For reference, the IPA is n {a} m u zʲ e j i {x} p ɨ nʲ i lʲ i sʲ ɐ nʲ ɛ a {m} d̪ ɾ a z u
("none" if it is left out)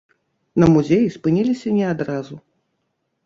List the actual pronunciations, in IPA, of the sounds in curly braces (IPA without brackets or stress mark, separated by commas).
ɐ, s, none